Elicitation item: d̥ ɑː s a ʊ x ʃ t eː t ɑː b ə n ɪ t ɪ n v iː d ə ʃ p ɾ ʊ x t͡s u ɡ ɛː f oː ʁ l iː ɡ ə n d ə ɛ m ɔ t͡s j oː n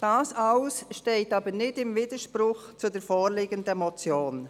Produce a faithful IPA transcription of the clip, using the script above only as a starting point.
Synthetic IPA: d̥ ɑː s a ʊ s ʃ t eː t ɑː b ə n ɪ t ɪ m v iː d ə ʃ p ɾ ʊ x t͡s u d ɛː f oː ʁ l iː ɡ ə n d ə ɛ m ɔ t͡s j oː n